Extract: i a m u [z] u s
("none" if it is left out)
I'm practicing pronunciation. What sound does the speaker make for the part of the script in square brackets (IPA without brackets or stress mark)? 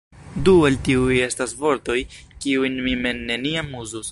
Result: z